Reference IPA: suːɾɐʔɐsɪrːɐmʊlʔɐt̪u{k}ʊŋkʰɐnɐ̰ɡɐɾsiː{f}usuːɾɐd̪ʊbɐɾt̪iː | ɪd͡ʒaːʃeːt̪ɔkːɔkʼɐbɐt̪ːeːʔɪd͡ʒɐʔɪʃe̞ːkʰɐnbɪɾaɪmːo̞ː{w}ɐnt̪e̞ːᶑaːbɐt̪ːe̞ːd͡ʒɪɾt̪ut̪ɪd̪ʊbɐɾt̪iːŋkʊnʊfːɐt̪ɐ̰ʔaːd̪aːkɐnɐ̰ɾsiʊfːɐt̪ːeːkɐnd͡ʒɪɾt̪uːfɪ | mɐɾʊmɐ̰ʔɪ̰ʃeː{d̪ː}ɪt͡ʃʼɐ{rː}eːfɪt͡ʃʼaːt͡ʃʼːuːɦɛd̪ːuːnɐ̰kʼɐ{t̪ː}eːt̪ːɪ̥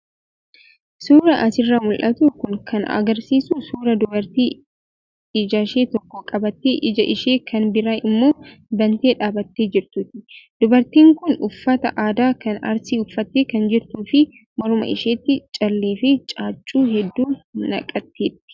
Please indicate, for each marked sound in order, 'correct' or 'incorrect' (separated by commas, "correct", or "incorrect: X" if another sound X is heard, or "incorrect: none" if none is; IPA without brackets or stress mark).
correct, incorrect: s, incorrect: b, incorrect: t̪ː, incorrect: lː, correct